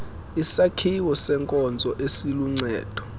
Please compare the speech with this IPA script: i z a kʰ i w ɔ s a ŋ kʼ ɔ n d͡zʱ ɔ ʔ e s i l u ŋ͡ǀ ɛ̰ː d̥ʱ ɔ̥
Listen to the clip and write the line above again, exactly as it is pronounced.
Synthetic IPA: i s a kʰ i w ɔ s ɛ ŋ kʼ ɔ n d͡zʱ ɔ ʔ e s i l u ŋ͡ǀ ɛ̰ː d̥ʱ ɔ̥